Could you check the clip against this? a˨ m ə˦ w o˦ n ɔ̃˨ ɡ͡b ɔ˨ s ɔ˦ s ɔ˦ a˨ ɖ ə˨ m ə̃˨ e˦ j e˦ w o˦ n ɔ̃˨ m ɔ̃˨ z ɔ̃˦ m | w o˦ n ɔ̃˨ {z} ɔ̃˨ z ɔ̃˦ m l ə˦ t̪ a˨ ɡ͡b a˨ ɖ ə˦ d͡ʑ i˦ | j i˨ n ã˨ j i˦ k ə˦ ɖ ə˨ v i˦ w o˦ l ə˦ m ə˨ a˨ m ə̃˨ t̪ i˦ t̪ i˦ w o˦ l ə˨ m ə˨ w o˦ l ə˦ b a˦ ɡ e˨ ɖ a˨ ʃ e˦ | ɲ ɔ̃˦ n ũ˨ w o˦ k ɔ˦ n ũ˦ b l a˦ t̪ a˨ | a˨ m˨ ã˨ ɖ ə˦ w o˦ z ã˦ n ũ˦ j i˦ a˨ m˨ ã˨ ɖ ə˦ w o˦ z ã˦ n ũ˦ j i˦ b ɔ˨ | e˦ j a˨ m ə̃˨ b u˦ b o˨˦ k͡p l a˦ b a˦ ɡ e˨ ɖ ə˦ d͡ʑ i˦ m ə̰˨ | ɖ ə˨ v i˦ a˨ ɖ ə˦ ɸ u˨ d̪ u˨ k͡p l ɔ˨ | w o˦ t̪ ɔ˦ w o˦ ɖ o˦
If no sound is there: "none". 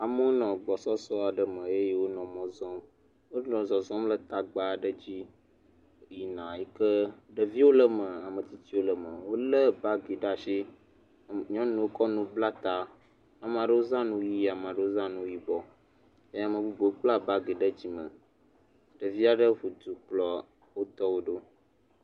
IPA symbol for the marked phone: z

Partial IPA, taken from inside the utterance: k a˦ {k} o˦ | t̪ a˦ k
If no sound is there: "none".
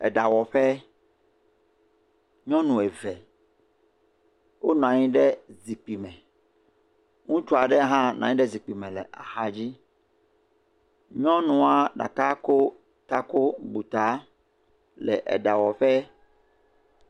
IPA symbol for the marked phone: k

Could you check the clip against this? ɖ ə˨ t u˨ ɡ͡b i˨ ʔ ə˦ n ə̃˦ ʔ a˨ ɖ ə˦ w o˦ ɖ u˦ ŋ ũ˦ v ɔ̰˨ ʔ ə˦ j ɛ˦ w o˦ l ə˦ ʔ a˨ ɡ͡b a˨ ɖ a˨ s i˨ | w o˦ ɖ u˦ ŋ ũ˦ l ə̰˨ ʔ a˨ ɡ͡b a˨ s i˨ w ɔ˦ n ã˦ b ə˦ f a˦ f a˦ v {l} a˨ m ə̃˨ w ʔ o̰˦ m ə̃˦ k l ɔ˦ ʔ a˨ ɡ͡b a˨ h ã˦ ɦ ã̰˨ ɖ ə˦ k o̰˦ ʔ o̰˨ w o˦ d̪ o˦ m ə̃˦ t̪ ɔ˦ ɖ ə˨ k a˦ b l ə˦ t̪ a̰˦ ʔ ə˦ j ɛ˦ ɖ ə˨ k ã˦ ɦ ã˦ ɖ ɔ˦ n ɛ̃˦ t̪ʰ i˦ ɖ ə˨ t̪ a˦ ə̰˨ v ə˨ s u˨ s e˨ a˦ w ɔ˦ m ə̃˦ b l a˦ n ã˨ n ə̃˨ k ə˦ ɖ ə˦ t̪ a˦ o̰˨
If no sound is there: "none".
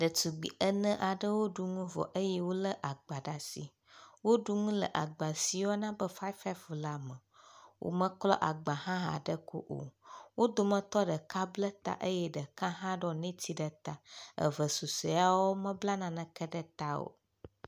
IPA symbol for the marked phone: l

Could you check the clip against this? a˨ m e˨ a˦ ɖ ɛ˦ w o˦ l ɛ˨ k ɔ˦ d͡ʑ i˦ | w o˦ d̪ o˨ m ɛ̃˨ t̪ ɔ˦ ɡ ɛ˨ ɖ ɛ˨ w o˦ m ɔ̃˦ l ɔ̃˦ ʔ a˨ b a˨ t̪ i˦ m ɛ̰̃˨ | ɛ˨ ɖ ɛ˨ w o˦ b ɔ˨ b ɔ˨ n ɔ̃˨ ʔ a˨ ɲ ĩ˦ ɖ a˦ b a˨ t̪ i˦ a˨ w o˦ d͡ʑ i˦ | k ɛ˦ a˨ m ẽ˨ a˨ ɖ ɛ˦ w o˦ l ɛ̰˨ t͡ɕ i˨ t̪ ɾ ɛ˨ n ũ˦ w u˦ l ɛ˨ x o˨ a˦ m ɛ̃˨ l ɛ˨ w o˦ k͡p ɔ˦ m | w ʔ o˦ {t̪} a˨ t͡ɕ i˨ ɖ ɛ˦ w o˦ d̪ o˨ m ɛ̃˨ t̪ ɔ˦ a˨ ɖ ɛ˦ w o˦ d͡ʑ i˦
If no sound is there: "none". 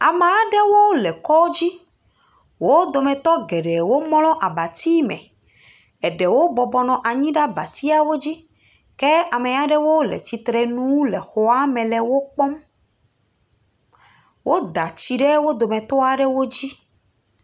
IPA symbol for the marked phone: d̪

